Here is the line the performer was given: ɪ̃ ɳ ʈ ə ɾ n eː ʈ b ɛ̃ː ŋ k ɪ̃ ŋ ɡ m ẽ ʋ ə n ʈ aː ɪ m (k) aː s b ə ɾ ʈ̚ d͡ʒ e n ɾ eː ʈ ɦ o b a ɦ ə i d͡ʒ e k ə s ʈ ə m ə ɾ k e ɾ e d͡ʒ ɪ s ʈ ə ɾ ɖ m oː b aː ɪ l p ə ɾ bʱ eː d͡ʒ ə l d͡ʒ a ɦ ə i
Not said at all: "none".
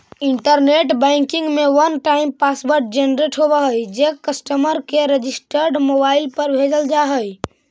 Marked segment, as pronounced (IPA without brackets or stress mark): p